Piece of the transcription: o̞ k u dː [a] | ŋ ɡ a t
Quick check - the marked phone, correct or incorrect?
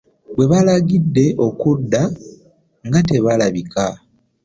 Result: correct